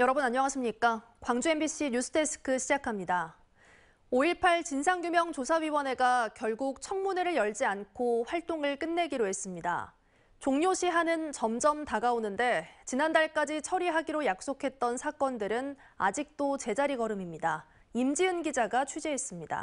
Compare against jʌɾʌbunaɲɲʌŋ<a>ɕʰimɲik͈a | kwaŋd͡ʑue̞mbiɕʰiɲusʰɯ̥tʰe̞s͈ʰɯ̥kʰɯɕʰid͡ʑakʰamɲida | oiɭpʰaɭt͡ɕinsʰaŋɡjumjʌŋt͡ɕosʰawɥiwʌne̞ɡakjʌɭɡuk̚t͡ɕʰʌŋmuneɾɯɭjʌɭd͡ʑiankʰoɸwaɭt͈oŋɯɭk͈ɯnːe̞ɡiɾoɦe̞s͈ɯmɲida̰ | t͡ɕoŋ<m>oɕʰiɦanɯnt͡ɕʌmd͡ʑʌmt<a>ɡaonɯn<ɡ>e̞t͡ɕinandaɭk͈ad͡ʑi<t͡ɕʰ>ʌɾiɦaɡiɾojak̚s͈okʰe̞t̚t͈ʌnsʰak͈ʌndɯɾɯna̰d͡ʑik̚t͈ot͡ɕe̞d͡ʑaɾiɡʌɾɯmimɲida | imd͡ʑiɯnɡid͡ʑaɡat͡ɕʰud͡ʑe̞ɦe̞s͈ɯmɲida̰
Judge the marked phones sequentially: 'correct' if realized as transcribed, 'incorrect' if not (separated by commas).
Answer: correct, incorrect, correct, incorrect, correct